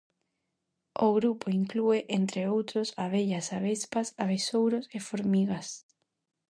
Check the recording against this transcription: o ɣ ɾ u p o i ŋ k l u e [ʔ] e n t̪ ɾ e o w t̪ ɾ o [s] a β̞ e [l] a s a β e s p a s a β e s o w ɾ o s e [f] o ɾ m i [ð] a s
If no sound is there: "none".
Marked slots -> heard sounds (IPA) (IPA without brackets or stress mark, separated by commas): ʔ, s, ʎ, f, ɣ